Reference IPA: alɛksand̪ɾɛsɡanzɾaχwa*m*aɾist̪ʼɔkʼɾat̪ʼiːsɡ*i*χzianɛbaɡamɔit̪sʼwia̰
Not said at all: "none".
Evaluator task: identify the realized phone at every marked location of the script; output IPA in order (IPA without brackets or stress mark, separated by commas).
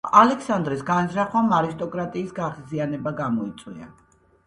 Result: m, a